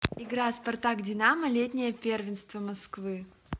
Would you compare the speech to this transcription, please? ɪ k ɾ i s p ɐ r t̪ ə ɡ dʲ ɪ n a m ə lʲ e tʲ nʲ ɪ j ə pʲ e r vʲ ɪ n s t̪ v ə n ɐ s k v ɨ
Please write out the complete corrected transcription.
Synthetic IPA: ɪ ɡ ɾ a s p ɐ r t̪ a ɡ dʲ ɪ n a m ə lʲ e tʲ nʲ ɪ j ə pʲ e r vʲ ɪ n s t̪ v ə m ɐ s k v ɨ